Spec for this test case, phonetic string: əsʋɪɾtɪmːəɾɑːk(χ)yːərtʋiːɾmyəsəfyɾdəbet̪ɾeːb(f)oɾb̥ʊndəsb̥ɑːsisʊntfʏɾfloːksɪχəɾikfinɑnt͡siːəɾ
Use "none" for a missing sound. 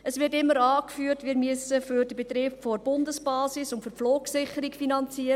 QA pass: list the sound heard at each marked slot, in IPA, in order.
f, f

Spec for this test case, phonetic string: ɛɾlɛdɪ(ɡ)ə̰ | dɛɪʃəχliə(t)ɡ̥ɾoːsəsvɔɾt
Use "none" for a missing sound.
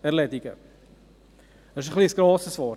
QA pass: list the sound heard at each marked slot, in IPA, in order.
ɡ, s

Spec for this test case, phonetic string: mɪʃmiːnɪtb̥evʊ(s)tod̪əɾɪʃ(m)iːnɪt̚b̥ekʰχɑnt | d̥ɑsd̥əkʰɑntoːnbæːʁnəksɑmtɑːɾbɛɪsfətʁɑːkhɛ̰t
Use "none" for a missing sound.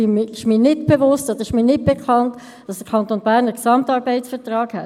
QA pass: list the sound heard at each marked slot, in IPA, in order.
s, m

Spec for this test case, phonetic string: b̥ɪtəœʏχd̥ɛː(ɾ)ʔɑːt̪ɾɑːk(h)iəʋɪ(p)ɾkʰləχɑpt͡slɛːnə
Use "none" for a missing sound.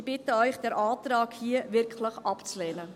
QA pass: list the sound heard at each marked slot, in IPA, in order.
ɾ, h, none

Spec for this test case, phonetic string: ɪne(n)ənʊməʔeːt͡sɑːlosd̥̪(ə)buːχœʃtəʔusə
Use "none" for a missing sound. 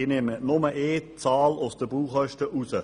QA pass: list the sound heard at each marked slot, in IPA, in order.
m, ə

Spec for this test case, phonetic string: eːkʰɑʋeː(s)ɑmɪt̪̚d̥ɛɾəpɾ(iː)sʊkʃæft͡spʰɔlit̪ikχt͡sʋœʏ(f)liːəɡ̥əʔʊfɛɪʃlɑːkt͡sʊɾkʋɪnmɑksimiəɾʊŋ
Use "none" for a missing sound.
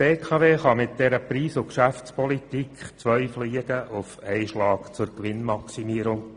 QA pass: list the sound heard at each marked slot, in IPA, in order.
χ, iː, f

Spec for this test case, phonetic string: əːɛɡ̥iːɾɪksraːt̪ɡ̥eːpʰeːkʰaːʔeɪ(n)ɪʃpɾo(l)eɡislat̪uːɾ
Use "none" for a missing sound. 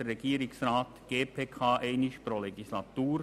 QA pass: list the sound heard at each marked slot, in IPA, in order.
n, l

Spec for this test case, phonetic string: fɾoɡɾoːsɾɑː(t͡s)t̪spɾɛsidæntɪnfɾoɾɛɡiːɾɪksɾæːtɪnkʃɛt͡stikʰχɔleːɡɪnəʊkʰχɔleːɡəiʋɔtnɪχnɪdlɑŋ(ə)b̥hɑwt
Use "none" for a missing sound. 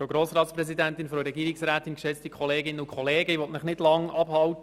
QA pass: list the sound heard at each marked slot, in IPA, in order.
none, ɑ

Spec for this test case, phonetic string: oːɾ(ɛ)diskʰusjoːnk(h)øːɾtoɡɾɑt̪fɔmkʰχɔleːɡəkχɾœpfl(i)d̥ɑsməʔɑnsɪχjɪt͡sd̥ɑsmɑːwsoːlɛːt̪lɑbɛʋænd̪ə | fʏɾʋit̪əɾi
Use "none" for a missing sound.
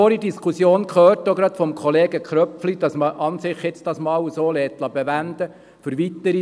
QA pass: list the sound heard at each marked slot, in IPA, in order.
i, χ, i

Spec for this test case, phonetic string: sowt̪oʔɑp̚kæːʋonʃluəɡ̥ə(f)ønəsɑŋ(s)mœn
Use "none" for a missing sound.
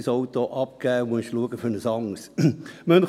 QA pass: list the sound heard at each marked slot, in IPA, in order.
f, s

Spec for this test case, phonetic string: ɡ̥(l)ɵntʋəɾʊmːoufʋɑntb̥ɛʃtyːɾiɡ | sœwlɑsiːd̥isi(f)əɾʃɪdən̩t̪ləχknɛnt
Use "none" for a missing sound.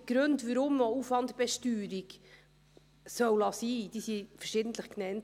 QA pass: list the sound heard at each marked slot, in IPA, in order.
ɾ, f

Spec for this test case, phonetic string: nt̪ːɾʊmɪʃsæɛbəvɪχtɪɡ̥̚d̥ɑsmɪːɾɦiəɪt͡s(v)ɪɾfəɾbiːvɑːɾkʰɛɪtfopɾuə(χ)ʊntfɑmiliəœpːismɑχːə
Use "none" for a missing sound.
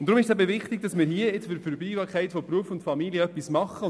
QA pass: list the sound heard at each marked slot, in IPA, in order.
f, f

